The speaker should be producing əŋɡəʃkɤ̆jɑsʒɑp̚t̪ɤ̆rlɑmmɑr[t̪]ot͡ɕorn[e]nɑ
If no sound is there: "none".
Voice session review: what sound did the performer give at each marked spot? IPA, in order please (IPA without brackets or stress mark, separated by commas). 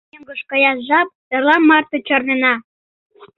t̪, e